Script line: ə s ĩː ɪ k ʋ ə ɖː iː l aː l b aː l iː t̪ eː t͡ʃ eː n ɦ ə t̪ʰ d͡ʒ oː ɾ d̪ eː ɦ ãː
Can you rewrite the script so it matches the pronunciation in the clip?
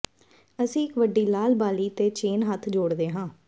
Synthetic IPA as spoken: ə s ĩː ɪ k ʋ ə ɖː iː l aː l b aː l iː t̪ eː t͡ʃ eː n ɦ ə t̪ʰ d͡ʒ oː ɽ d̪ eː ɦ ãː